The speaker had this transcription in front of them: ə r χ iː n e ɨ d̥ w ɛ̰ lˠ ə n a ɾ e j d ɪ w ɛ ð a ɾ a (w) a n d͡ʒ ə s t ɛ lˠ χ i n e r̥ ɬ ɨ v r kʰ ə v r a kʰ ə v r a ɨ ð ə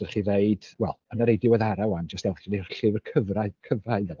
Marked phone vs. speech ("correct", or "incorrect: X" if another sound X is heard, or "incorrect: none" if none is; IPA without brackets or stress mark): correct